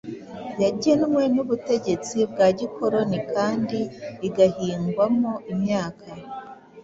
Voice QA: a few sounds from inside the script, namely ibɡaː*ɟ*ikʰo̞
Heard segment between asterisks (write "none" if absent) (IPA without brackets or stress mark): ɟ